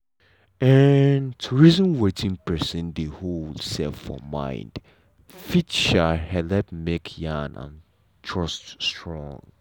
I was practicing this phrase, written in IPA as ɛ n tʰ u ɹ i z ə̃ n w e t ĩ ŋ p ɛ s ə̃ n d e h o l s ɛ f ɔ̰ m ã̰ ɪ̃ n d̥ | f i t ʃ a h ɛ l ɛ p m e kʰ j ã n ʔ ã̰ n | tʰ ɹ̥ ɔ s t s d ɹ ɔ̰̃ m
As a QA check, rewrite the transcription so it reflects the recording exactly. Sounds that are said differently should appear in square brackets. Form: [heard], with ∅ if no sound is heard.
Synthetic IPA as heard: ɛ n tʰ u ɹ i z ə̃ n w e t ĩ ŋ p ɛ s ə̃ n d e h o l s ɛ f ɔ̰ m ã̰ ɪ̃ n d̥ | f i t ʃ a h ɛ l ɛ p m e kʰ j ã n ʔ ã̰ n | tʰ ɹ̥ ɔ s t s [t] ɹ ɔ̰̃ [ŋ]